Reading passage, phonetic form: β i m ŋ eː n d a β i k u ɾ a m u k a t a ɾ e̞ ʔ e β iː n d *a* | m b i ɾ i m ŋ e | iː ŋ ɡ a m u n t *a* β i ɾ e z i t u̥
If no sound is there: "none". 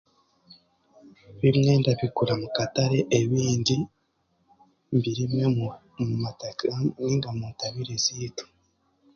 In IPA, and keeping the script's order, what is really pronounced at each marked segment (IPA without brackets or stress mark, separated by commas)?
i, a